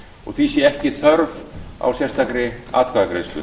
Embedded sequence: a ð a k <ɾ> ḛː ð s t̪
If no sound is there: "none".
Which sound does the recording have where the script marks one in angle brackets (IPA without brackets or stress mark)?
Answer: ɾ